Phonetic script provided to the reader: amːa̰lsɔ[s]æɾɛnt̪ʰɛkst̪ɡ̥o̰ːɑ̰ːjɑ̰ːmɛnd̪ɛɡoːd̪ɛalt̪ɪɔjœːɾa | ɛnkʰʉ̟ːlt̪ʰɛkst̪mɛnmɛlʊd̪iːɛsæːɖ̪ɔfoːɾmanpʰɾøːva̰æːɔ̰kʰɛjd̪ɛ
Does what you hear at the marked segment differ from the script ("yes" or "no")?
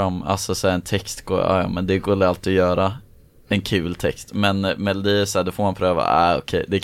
no